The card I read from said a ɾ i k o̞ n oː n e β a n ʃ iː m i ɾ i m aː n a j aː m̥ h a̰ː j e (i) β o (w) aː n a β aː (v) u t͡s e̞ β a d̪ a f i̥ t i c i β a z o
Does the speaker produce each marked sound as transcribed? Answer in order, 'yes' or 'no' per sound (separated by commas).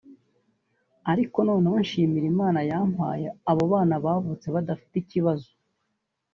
no, no, yes